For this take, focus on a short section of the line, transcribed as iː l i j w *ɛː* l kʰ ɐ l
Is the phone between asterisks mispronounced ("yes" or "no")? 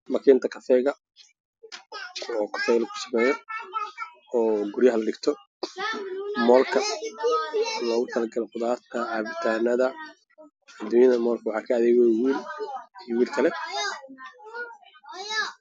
yes